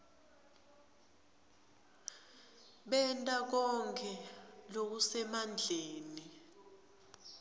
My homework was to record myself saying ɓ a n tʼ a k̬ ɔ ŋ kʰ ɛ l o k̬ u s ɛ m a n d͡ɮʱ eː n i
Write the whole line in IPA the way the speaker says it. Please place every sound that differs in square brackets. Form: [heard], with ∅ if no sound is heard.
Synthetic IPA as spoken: ɓ [ɛ] n tʼ a k̬ ɔ ŋ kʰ ɛ l o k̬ u s ɛ m a n d͡ɮʱ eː n i